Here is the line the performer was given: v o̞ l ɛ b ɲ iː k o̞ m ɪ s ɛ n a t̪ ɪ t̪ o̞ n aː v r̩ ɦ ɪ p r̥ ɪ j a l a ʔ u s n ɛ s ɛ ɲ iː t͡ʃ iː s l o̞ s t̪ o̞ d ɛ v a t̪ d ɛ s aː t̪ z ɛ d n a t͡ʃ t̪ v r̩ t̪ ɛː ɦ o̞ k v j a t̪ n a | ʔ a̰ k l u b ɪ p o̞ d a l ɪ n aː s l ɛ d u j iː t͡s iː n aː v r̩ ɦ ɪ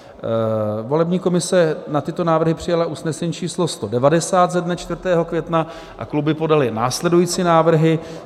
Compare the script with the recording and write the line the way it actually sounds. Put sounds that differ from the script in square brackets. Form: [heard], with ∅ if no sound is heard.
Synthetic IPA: v o̞ l ɛ b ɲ iː k o̞ m ɪ s ɛ n a t̪ ɪ t̪ o̞ n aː v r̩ ɦ ɪ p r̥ ɪ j a l a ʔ u s n ɛ s ɛ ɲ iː t͡ʃ iː s l o̞ s t̪ o̞ d ɛ v a [∅] d ɛ s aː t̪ z ɛ d n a t͡ʃ t̪ v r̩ t̪ ɛː ɦ o̞ k v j [ɛ] t̪ n a | ʔ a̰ k l u b ɪ p o̞ d a l ɪ n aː s l ɛ d u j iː t͡s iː n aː v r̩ ɦ ɪ